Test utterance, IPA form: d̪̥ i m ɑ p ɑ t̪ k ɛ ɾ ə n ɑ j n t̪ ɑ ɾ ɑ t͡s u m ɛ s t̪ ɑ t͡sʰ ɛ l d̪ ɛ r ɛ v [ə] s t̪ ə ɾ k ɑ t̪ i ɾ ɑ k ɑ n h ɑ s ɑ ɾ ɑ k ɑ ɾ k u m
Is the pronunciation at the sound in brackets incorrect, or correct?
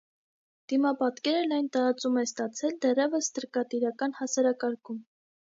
correct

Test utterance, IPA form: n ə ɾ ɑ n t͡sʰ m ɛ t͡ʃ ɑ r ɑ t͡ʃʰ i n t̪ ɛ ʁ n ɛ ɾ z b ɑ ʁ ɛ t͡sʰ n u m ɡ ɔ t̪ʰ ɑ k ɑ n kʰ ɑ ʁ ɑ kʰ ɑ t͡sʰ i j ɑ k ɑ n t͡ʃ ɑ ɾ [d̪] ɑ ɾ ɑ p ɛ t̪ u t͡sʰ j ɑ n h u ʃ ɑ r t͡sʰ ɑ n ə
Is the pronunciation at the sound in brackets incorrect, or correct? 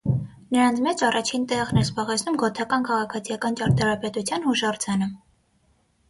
incorrect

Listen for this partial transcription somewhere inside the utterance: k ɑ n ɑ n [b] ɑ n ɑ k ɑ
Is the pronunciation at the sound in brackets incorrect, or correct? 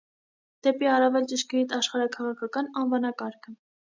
incorrect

